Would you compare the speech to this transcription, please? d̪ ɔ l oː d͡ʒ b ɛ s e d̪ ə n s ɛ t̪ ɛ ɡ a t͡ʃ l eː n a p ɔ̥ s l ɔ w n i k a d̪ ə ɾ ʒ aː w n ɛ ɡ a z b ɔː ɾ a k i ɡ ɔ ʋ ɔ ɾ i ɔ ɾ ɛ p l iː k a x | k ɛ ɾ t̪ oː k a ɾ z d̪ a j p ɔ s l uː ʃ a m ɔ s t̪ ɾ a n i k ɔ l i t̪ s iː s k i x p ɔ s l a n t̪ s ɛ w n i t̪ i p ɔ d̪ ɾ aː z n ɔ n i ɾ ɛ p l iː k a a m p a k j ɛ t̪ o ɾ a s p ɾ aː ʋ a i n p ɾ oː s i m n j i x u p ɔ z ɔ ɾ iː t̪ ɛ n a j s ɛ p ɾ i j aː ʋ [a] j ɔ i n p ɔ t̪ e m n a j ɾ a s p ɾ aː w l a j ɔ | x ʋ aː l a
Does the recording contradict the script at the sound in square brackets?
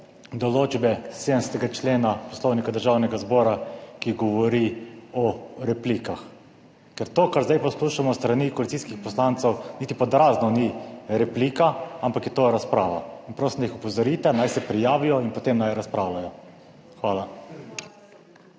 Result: yes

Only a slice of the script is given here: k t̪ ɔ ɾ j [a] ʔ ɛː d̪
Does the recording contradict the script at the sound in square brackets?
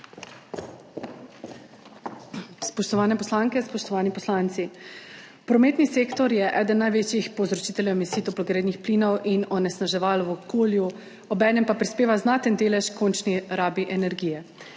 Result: yes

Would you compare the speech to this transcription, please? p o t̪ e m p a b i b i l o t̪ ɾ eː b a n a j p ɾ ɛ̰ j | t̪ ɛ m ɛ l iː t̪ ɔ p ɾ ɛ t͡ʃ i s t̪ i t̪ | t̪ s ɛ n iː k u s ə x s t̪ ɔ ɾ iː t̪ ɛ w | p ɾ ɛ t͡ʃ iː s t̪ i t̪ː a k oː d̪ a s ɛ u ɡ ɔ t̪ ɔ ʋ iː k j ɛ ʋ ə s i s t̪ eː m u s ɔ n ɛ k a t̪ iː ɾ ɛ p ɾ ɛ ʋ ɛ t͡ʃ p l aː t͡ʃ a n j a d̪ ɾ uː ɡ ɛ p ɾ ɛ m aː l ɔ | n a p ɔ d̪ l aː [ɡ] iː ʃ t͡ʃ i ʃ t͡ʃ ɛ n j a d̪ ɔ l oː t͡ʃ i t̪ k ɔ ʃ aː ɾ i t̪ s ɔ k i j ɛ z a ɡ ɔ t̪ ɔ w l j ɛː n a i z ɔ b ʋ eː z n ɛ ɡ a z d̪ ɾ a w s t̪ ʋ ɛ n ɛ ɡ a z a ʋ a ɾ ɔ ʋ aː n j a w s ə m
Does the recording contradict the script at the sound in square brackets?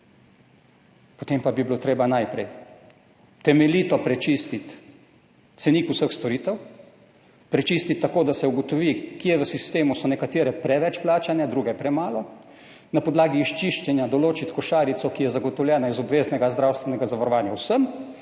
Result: no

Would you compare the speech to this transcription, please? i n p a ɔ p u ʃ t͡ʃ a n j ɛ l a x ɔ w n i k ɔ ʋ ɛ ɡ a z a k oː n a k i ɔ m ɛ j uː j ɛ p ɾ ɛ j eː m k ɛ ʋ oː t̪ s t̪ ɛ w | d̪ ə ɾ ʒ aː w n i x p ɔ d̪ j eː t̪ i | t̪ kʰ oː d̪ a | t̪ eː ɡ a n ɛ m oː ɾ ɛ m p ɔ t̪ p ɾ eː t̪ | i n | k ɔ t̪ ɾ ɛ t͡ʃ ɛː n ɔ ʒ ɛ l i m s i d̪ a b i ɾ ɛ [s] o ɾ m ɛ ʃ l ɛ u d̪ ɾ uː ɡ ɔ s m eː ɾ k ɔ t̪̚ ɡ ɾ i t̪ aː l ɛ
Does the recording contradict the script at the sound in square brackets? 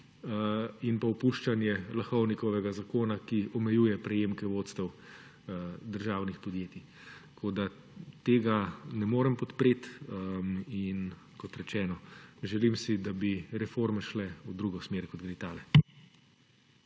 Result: yes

